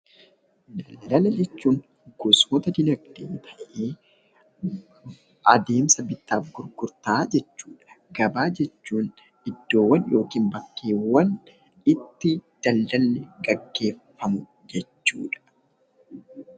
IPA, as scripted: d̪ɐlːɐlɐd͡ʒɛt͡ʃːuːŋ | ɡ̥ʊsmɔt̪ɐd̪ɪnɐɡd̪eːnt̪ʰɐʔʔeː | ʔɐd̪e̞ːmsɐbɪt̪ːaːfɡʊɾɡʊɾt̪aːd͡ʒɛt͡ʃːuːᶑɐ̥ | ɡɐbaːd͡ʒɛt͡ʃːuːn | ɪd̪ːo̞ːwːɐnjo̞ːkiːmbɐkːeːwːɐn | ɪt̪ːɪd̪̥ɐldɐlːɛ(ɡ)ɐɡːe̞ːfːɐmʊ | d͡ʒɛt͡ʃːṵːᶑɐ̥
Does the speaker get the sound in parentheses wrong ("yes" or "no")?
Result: no